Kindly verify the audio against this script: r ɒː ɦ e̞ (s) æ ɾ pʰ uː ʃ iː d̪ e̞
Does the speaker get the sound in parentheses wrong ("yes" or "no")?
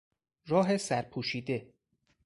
no